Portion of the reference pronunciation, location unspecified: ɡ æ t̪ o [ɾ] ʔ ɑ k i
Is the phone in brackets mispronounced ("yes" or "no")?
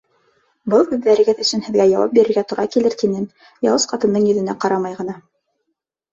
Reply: no